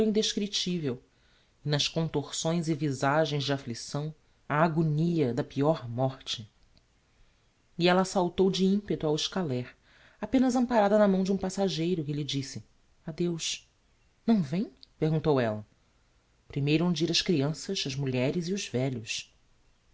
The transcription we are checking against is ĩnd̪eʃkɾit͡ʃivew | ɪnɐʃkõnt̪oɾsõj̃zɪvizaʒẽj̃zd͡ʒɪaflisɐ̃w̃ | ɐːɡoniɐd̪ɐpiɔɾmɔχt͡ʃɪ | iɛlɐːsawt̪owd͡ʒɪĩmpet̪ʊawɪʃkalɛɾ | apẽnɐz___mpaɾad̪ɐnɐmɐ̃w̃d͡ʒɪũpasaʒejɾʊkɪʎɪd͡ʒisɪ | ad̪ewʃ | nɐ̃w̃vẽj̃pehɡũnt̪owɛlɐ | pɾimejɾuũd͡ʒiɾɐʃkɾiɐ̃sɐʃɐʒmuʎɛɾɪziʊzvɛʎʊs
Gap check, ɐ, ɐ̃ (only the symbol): ɐ̃